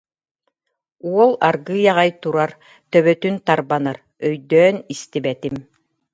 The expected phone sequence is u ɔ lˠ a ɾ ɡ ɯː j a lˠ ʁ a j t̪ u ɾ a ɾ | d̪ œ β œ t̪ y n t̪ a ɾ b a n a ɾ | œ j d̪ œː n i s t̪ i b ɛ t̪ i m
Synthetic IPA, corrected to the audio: u ɔ lˠ a ɾ ɡ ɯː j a ʁ a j t̪ u ɾ a ɾ | t̪ œ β œ t̪ y n t̪ a ɾ b a n a ɾ | œ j d̪ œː n i s t̪ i b ɛ t̪ i m